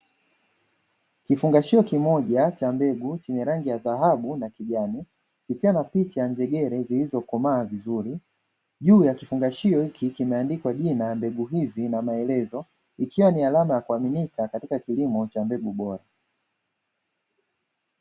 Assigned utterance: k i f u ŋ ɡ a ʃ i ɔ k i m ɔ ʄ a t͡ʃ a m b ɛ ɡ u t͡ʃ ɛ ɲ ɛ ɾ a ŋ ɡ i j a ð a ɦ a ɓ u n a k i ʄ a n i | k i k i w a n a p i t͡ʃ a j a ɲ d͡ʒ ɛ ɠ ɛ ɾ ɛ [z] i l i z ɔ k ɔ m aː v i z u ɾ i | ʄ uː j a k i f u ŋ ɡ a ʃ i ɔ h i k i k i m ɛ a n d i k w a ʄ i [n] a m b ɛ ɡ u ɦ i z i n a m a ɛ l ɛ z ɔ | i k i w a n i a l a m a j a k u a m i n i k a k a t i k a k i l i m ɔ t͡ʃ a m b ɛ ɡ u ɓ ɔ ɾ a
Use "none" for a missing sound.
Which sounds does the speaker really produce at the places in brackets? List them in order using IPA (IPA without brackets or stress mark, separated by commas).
z, n